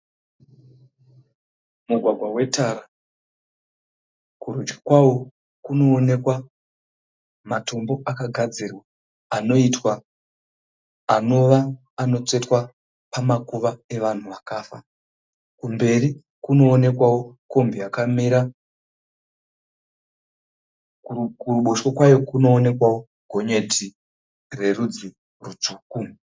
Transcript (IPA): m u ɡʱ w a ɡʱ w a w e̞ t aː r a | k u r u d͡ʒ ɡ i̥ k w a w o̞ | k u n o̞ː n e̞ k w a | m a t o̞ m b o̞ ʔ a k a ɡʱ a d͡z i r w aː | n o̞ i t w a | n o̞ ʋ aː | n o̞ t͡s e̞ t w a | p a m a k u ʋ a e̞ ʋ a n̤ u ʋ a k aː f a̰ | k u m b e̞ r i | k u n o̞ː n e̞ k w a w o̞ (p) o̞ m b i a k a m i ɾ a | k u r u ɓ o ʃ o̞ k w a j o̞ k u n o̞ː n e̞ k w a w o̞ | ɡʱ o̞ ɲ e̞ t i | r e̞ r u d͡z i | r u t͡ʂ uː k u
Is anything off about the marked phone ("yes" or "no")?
yes